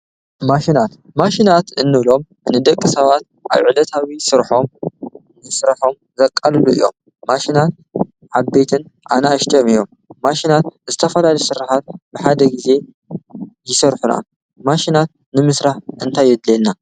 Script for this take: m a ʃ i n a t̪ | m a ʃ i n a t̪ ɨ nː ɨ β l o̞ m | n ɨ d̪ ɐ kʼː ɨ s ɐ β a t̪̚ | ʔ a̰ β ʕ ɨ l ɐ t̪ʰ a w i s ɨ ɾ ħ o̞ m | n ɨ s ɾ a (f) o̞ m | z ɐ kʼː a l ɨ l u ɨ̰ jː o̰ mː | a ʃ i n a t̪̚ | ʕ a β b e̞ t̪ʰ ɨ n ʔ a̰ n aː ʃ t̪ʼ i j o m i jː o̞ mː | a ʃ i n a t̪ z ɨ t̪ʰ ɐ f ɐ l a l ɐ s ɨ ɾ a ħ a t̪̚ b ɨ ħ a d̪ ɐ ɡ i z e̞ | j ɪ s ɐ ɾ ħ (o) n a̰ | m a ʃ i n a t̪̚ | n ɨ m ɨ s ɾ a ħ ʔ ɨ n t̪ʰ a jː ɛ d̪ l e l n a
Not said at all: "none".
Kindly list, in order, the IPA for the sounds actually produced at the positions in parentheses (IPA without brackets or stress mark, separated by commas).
ħ, u